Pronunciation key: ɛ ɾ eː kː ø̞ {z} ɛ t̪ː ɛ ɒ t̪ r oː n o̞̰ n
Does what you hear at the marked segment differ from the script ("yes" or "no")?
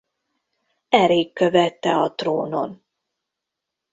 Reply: yes